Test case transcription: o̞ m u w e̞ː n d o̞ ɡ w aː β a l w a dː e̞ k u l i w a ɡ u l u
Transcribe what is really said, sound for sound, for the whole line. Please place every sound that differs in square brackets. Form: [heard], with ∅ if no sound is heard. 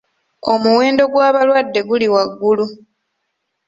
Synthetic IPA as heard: o̞ m u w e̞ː n d o̞ ɡ w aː β a l w a dː e̞ [ɡ] u l i w a [ɡː] u l u